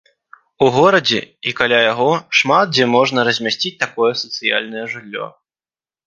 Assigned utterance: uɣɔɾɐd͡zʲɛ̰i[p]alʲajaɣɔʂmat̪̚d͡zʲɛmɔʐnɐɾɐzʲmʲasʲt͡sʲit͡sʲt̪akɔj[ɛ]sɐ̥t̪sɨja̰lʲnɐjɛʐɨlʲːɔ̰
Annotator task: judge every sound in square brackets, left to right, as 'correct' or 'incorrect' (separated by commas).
incorrect, correct